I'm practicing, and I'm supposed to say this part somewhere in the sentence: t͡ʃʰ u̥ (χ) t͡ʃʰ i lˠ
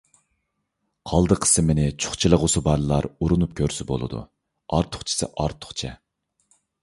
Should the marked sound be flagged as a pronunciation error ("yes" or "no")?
no